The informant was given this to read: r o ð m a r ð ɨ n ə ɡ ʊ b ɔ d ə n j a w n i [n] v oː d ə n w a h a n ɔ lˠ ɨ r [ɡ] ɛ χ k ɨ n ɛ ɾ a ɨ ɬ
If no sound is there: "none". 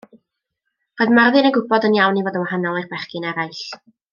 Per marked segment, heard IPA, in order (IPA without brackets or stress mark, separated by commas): none, b